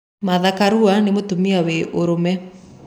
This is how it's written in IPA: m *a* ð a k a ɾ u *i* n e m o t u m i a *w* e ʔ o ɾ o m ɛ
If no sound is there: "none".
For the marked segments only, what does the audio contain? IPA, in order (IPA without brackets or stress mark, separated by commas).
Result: a, a, w